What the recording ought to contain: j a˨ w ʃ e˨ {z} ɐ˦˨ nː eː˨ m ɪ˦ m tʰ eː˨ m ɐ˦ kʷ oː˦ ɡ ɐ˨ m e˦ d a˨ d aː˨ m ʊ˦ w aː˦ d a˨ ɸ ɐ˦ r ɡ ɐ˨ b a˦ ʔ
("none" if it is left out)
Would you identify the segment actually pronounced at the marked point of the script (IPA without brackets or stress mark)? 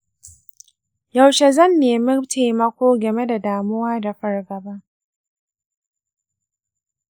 z